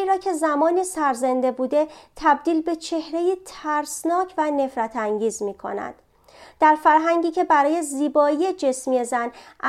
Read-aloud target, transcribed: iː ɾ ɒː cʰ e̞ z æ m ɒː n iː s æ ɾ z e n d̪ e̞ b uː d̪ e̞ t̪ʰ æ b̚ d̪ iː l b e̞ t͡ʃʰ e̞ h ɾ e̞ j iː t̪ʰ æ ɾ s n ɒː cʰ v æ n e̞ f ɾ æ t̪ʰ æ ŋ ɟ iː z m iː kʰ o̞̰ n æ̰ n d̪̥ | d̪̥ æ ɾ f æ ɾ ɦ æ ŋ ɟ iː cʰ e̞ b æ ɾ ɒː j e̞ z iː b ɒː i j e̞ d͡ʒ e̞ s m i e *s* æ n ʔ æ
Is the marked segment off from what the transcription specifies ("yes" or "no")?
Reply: yes